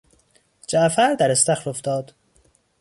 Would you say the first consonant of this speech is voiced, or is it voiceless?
voiced